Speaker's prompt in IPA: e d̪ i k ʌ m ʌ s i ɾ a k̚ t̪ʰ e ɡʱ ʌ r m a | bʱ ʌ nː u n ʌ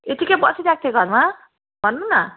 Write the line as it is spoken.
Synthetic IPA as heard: e t̪ i k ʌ b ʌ s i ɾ a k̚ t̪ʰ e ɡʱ ʌ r m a | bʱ ʌ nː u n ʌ